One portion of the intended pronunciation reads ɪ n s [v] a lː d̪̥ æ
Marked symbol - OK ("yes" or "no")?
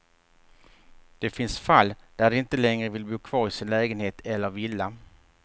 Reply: no